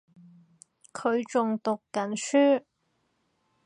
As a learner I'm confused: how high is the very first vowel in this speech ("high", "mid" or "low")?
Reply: mid